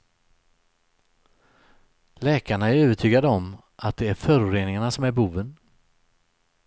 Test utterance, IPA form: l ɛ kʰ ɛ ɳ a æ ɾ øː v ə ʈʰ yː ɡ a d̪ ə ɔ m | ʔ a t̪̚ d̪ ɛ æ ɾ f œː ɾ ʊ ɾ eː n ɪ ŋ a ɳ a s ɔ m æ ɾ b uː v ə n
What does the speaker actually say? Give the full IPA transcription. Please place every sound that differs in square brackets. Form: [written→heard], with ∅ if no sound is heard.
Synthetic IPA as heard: l [ɛ→ɛː] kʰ [ɛ→a] ɳ a æ ɾ øː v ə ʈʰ yː ɡ a d̪ ə ɔ m | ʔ a t̪̚ d̪ ɛ æ ɾ f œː ɾ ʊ ɾ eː n ɪ ŋ a ɳ a s ɔ m æ ɾ b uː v ə n